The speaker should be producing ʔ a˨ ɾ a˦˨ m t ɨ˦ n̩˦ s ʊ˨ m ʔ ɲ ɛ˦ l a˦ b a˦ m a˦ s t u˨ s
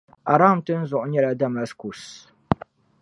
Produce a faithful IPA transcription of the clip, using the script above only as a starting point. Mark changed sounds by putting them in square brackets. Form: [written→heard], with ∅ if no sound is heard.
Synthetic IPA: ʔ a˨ ɾ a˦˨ m t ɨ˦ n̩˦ [s→z] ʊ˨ [m→∅] ʔ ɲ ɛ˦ l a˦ [b→d] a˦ m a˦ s [t→k] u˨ s